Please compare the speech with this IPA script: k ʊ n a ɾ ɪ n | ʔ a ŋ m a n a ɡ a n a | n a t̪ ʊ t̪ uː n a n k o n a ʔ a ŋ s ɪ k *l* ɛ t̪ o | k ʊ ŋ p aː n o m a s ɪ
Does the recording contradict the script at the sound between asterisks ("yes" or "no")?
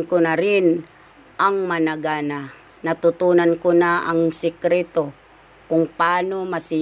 yes